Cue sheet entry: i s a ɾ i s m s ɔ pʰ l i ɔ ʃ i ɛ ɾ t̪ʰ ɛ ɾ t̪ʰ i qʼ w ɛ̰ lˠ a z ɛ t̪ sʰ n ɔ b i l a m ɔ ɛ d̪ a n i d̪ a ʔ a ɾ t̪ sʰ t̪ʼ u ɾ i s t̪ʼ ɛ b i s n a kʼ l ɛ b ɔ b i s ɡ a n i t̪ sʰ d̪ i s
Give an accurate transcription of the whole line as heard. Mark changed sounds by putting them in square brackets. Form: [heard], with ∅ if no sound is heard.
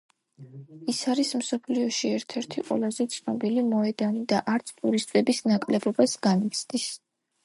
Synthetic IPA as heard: i s a ɾ i s m s ɔ pʰ l i ɔ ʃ i ɛ ɾ t̪ʰ ɛ ɾ t̪ʰ i qʼ w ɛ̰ lˠ a z ɛ t̪ sʰ n ɔ b i l [i] m ɔ ɛ d̪ a n i d̪ a ʔ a ɾ t̪ sʰ t̪ʼ u ɾ i s t̪ʼ ɛ b i s n a kʼ l ɛ b ɔ b [a] s ɡ a n i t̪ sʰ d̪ i s